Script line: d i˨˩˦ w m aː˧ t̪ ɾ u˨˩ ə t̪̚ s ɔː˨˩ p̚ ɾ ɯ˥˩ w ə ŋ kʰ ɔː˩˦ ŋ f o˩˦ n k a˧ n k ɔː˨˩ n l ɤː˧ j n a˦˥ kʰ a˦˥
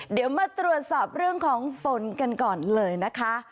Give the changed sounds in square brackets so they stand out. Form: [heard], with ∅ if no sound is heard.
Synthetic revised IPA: d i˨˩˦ w m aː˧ t̪ ɾ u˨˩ ə t̪̚ s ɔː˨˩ p̚ ɾ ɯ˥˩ [∅] ə ŋ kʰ ɔː˩˦ ŋ f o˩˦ n k a˧ n k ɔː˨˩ n l ɤː˧ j n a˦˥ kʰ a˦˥